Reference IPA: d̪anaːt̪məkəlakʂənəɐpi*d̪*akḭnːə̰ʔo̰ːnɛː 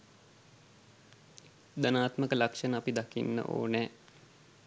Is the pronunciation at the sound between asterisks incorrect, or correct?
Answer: correct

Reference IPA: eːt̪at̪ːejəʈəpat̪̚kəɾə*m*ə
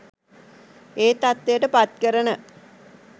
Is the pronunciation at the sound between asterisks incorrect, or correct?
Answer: incorrect: n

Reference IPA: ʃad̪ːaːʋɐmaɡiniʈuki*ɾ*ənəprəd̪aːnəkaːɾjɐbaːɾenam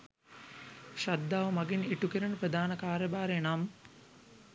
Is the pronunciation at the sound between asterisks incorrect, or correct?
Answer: correct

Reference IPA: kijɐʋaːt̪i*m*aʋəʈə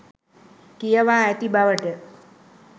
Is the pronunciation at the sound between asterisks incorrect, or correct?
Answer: incorrect: b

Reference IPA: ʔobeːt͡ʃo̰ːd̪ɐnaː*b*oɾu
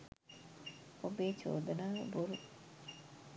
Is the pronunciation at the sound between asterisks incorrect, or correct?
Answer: correct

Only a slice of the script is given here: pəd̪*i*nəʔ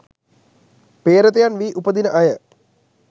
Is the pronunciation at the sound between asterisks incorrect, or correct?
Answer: correct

